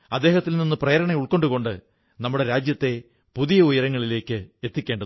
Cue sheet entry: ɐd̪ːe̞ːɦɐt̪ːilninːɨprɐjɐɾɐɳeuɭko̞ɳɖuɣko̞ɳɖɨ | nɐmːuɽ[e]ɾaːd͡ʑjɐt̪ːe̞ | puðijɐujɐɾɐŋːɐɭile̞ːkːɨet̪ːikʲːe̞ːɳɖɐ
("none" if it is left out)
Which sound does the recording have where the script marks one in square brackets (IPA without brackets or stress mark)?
e